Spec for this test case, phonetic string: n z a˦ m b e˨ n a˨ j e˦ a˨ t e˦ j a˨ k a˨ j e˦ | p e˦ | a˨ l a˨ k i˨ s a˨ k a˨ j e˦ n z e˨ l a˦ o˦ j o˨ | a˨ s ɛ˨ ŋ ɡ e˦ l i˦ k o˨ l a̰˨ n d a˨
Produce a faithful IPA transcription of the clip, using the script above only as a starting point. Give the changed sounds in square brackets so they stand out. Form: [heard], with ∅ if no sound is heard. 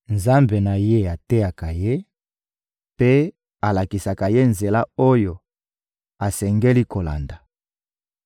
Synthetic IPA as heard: n z a˦ m b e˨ n a˨ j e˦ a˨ t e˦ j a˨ k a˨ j e˦ | p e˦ | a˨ l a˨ k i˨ s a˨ k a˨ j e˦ n z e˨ l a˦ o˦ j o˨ | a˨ s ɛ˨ ŋ ɡ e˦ l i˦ k o˨ l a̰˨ n d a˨